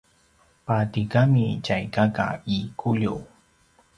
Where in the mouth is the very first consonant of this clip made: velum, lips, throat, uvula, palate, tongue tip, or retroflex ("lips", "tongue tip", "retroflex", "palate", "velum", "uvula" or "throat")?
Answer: lips